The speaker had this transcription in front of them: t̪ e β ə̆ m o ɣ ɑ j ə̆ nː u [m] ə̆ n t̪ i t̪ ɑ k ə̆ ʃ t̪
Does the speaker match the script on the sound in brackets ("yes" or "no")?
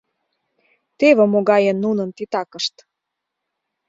no